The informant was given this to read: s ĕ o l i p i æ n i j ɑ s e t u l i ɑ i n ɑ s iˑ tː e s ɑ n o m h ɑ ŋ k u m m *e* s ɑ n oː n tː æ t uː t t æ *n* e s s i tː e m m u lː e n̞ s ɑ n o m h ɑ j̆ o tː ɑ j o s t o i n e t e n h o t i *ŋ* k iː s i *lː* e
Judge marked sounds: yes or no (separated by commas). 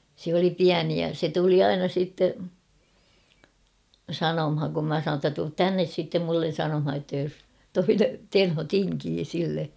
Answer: no, no, yes, yes